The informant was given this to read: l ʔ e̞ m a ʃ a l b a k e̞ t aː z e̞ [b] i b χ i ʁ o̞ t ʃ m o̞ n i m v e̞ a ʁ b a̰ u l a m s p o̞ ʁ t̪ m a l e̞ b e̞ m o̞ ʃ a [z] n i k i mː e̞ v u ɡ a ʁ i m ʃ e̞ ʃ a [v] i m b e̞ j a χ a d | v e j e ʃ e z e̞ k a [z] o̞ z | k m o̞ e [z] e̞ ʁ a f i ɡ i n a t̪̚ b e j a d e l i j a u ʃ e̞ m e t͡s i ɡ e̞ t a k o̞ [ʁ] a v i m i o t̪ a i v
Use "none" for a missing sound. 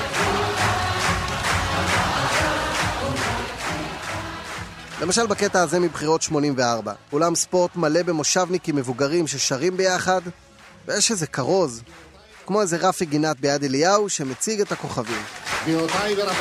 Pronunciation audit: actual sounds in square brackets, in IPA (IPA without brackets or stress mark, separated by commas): m, v, ʁ, ʁ, z, χ